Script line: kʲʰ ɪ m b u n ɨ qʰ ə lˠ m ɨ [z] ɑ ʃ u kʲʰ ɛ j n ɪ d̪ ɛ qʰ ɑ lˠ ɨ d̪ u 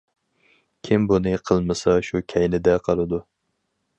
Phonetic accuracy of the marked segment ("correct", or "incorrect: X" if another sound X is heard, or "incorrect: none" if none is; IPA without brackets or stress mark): incorrect: s